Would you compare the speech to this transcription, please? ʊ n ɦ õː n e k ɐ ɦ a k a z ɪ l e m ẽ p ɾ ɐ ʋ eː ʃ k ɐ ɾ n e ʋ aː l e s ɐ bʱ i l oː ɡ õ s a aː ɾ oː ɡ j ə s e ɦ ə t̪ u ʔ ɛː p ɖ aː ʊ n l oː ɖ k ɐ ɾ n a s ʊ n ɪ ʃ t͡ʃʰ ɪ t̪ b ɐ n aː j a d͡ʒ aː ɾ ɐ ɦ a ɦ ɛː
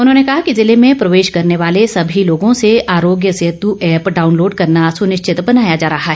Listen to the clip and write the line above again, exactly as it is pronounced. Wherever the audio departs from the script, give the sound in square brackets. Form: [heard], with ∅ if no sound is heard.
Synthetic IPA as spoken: ʊ n ɦ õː n e k ɐ ɦ a k [i] z ɪ l e m ẽ p ɾ ɐ ʋ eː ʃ k ɐ ɾ n e ʋ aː l e s ɐ bʱ i l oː ɡ õ s [e] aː ɾ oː ɡ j ə s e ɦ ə t̪ u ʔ ɛː p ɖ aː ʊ n l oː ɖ k ɐ ɾ n a s ʊ n ɪ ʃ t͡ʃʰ ɪ t̪ b ɐ n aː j a d͡ʒ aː ɾ ɐ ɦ a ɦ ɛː